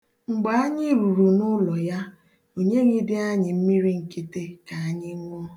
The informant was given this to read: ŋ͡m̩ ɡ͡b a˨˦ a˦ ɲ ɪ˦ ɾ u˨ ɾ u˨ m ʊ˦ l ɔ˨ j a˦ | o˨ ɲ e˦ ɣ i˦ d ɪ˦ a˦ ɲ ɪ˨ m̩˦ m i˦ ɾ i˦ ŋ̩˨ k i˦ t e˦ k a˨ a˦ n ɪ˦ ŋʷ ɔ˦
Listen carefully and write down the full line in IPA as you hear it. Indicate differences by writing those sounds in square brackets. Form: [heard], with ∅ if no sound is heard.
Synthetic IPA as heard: ŋ͡m̩ ɡ͡b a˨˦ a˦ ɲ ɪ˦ ɾ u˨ ɾ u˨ [n] ʊ˦ l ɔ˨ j a˦ | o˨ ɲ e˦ ɣ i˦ d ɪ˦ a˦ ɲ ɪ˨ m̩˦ m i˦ ɾ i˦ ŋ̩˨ k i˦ t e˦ k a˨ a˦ [ɲ] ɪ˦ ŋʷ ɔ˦